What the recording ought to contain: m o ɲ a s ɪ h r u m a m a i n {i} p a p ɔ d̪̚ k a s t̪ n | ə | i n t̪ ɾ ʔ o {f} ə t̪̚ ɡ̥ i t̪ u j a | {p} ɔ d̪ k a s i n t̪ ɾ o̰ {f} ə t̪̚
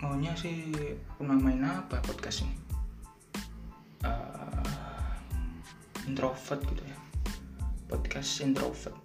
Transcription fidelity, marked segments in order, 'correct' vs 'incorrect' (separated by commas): incorrect, correct, correct, correct